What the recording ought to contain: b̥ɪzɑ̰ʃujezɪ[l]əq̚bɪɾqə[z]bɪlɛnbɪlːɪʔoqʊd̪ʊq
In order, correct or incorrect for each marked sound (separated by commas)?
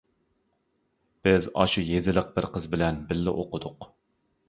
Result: correct, correct